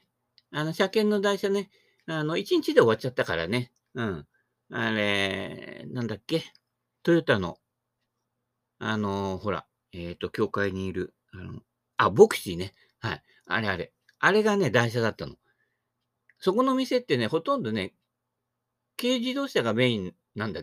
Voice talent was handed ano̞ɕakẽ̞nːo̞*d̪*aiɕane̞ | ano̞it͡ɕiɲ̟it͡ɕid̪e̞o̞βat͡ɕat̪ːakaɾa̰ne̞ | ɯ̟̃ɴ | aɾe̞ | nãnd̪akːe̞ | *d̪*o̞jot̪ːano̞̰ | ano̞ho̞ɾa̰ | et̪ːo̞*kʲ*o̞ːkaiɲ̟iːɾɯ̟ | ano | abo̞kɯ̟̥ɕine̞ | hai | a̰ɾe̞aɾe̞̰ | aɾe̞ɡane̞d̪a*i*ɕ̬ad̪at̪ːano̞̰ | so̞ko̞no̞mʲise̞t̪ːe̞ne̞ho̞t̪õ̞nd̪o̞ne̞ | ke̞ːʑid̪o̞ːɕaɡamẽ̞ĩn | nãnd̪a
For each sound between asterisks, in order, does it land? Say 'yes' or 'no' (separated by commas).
yes, no, yes, yes